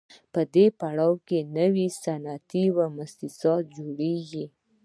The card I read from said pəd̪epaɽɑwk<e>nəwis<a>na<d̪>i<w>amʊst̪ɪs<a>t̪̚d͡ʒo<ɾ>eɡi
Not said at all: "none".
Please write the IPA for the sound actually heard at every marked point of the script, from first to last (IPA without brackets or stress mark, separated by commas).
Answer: e, a, t̪, w, ɑ, ɽ